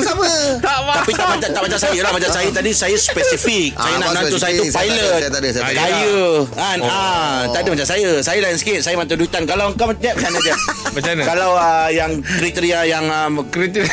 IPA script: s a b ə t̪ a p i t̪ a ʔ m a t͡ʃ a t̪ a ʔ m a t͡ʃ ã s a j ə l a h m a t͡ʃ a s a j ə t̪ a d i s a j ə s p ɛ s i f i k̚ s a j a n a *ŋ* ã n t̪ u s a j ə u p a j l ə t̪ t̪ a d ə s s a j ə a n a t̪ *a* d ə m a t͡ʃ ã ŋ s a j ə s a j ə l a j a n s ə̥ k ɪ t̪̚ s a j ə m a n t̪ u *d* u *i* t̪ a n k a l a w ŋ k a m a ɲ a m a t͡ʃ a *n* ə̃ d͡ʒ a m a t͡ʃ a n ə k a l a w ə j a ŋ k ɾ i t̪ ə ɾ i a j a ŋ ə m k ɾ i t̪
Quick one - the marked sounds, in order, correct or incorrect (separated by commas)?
incorrect, correct, correct, correct, correct